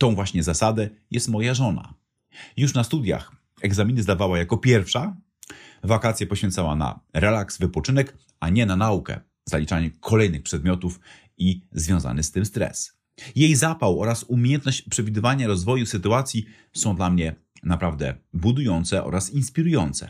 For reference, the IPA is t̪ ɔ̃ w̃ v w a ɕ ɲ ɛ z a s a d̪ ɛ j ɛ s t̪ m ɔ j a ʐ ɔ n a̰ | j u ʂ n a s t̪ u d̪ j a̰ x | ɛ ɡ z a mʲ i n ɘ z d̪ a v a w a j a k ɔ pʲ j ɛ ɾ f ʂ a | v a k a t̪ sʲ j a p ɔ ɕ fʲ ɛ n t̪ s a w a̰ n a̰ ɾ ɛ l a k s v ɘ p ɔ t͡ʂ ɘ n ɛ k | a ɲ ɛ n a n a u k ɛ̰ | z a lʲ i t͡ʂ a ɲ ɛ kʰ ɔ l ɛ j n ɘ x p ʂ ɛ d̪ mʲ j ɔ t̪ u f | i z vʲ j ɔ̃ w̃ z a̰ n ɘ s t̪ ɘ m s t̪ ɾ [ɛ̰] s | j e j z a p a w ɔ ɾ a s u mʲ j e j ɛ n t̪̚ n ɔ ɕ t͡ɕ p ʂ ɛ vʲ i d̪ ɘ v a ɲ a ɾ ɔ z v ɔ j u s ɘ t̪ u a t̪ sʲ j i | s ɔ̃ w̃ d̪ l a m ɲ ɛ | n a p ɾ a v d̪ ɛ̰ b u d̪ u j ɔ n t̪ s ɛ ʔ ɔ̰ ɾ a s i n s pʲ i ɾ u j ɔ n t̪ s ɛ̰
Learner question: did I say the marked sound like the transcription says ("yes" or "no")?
yes